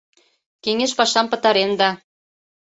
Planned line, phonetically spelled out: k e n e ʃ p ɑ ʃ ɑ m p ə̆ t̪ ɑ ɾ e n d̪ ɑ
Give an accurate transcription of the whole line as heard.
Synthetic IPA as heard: k e ŋ e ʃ p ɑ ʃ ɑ m p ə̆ t̪ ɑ ɾ e n d̪ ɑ